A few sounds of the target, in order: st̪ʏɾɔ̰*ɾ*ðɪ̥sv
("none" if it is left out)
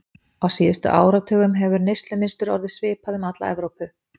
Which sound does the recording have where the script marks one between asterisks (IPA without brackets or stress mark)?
ɾ